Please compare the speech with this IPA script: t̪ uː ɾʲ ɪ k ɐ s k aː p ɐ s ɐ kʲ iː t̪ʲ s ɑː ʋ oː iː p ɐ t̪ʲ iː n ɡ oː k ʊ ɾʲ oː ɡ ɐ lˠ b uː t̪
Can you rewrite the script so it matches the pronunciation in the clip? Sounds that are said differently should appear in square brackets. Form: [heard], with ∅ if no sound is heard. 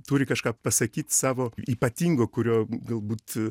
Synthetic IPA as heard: t̪ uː ɾʲ ɪ k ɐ [ʃ] k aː p ɐ s ɐ kʲ iː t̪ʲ s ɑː ʋ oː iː p ɐ t̪ʲ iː [ŋ] ɡ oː k ʊ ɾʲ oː ɡ ɐ lˠ b uː t̪